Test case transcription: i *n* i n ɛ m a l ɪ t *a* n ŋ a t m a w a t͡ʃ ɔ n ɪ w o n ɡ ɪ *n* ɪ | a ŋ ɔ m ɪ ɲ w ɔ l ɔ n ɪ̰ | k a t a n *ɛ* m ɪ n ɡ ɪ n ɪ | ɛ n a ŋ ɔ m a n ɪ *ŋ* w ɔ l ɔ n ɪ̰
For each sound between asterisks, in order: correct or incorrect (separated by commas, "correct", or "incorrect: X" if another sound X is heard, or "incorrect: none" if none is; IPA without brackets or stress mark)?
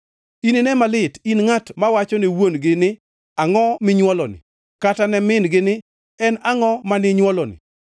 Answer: correct, incorrect: i, correct, correct, incorrect: ɲ